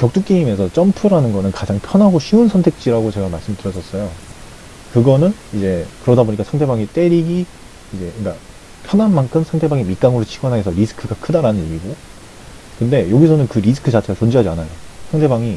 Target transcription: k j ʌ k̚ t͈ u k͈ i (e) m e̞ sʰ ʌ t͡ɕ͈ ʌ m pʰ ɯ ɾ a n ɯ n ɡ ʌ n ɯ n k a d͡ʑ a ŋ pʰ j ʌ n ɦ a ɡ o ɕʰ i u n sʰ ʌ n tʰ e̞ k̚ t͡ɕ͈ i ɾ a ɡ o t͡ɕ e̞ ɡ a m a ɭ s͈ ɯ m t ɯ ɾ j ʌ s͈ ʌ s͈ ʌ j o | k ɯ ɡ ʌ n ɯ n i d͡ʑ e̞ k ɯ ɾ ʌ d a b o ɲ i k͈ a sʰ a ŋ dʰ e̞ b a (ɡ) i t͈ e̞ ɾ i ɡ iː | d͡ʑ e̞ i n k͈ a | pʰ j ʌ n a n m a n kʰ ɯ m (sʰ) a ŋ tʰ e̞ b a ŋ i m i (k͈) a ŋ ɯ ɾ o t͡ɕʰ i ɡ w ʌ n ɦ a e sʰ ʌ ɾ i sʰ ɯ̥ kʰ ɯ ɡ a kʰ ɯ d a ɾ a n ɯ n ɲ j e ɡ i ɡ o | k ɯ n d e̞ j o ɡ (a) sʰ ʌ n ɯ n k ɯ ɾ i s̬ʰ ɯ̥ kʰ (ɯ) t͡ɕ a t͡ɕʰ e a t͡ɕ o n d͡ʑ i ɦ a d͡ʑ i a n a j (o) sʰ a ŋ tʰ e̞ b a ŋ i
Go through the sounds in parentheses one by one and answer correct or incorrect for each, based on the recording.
incorrect, incorrect, correct, correct, incorrect, correct, correct

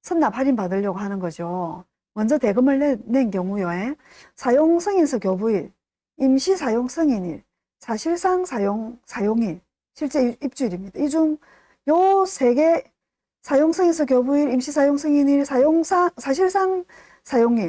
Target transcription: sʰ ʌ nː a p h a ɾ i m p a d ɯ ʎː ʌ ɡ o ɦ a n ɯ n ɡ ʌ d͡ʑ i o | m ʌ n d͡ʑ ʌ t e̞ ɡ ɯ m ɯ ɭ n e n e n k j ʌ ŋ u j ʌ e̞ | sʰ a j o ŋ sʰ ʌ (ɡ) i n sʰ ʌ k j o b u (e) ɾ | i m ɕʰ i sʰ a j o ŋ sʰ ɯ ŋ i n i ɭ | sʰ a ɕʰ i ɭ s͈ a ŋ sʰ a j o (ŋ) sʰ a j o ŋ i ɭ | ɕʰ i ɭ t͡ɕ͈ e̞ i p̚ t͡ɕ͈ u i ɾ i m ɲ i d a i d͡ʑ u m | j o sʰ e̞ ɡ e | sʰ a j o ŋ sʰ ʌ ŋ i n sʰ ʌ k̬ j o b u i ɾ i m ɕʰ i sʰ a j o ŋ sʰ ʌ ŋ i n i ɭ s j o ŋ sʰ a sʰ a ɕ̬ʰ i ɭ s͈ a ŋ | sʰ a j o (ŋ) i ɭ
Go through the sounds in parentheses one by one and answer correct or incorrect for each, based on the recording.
incorrect, incorrect, correct, correct

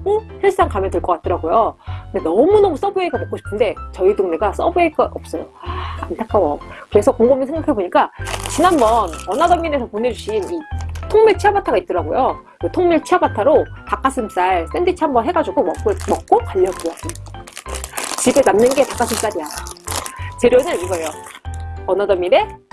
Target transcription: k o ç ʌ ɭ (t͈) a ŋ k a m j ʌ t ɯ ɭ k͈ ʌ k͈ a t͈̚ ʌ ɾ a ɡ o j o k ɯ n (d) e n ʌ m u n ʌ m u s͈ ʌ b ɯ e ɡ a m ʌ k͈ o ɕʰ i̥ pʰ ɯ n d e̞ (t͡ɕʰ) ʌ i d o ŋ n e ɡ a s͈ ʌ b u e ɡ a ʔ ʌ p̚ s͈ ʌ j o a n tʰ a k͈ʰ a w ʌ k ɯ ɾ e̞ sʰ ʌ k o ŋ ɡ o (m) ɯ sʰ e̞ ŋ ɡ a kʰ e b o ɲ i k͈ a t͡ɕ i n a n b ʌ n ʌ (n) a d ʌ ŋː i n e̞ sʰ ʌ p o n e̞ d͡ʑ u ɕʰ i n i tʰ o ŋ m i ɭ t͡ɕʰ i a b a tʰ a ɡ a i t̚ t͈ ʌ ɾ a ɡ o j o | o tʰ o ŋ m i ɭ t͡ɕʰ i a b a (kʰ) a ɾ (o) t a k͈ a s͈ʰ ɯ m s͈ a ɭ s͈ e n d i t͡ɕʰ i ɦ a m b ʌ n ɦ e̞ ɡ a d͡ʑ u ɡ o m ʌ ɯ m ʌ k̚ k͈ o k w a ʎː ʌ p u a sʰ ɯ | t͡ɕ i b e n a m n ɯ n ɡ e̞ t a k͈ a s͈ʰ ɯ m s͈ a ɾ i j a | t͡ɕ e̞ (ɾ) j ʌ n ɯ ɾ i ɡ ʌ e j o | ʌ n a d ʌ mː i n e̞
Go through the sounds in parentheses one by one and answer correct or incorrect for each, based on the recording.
incorrect, correct, incorrect, correct, correct, incorrect, correct, correct

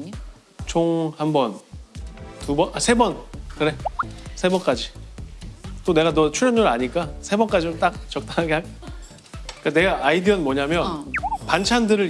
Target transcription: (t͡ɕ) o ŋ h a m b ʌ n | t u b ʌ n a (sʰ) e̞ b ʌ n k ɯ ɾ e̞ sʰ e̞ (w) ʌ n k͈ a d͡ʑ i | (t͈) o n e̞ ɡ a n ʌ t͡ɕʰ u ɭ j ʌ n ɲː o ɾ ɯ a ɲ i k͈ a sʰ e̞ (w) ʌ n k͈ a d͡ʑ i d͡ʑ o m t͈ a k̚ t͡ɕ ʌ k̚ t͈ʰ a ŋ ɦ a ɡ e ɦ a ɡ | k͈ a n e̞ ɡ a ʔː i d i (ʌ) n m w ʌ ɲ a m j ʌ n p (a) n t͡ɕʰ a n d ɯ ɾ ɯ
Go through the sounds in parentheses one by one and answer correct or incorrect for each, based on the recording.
incorrect, correct, incorrect, correct, incorrect, correct, correct

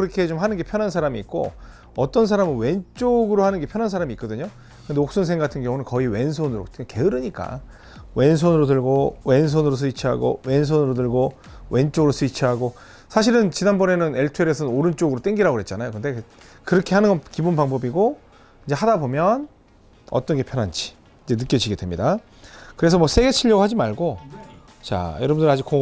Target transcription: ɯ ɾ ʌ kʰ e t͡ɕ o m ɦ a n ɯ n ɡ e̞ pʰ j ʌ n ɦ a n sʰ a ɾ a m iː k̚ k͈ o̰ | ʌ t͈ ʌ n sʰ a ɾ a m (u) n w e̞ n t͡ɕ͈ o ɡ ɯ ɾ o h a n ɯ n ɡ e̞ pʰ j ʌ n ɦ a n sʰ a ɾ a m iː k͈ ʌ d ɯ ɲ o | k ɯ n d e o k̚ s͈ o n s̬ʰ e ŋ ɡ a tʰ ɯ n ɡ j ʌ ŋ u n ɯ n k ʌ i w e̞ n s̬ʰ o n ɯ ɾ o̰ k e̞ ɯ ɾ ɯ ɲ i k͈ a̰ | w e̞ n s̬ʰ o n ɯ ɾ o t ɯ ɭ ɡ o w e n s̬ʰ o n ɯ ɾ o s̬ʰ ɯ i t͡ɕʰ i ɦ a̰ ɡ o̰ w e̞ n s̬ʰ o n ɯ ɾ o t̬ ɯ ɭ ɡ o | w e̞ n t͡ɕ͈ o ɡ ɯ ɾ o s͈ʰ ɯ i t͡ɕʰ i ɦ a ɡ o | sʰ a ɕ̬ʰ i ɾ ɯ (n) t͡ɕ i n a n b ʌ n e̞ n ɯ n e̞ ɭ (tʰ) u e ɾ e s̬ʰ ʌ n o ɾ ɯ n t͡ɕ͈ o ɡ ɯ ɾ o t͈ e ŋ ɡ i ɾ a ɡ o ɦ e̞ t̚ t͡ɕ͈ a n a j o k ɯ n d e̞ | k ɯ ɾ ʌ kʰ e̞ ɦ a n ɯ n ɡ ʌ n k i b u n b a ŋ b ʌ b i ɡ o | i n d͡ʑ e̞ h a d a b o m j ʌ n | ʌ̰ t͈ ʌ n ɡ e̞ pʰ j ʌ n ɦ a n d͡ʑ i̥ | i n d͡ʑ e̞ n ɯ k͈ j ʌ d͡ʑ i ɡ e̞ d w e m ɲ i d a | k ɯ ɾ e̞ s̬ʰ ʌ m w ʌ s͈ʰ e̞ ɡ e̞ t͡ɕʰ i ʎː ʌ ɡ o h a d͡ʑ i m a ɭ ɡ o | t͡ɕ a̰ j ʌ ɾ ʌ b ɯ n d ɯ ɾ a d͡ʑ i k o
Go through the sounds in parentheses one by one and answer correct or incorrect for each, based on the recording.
incorrect, correct, correct

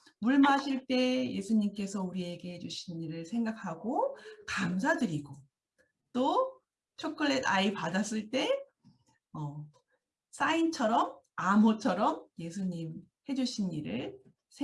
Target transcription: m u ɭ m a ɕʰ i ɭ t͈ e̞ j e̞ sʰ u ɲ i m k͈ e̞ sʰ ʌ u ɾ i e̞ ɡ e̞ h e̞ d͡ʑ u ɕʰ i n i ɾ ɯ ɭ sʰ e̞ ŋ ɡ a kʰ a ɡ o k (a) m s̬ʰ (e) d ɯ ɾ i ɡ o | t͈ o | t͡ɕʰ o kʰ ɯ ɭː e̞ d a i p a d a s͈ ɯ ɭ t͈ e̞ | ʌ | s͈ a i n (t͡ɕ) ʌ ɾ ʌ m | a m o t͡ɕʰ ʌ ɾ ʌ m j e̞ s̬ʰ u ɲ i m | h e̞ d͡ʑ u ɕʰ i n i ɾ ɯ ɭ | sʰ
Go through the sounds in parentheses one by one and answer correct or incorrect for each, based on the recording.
correct, incorrect, incorrect

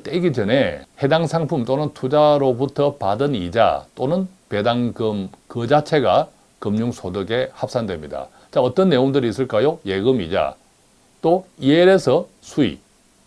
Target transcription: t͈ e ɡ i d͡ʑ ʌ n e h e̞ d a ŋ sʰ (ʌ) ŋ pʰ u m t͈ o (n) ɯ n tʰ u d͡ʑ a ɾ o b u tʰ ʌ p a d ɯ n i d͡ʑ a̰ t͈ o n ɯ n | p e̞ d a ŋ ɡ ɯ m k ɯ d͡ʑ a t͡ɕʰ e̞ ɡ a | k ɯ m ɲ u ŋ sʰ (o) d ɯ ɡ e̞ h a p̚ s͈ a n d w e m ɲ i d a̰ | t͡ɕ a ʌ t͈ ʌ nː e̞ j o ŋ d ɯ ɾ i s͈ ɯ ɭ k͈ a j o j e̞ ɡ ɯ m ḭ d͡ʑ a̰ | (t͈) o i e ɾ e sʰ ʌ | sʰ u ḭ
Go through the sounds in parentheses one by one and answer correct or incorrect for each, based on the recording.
incorrect, correct, correct, correct

